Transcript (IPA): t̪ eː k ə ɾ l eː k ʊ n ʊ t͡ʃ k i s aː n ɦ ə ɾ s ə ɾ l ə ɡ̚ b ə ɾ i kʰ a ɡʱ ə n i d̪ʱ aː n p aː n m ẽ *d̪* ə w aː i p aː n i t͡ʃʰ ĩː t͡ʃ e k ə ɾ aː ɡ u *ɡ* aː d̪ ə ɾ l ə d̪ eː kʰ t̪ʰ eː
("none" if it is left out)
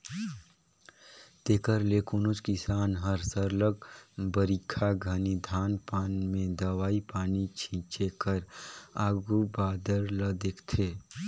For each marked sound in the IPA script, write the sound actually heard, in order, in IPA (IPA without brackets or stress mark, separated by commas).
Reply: d̪, b